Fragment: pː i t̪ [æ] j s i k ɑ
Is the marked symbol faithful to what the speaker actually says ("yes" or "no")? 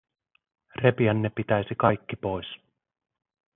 yes